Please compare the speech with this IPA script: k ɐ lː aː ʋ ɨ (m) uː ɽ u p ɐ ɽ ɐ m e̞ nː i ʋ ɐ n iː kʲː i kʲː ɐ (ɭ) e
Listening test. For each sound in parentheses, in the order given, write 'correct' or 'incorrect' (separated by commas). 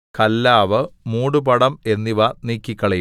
correct, correct